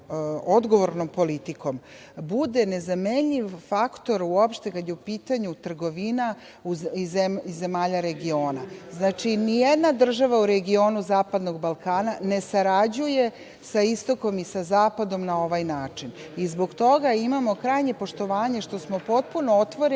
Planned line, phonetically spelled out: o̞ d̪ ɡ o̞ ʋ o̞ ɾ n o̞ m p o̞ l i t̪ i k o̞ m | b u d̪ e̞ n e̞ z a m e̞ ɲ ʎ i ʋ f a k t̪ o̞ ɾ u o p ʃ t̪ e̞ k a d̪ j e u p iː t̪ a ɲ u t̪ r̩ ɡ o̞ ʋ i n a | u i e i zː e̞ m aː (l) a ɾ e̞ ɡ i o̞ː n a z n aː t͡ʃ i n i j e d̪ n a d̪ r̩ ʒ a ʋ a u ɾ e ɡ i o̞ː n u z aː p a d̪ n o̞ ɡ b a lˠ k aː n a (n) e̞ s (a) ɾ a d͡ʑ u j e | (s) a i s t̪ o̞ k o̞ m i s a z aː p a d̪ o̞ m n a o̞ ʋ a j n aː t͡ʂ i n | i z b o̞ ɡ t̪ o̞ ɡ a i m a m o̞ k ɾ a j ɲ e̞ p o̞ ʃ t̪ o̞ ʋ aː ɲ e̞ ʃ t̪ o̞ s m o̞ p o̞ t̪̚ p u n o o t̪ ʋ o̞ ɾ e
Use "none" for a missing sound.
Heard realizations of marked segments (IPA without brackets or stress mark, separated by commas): ʎ, n, a, s